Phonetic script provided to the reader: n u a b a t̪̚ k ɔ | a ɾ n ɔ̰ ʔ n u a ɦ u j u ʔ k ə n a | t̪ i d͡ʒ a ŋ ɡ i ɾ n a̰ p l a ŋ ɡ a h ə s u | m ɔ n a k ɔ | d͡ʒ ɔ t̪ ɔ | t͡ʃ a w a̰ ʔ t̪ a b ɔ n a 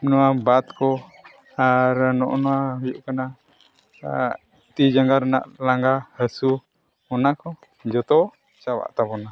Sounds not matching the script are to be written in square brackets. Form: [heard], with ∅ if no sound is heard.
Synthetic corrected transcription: n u a b a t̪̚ k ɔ | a ɾ n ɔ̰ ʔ n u a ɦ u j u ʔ k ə n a | t̪ i d͡ʒ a ŋ ɡ [a] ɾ n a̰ [ʔ] l a ŋ ɡ a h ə s u | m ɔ n a k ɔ | d͡ʒ ɔ t̪ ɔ | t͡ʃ a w a̰ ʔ t̪ a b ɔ n a